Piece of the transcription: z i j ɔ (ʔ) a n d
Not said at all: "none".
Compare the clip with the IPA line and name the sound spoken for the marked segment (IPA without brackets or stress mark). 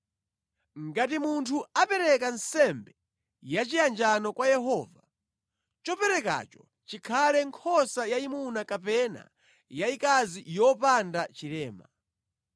p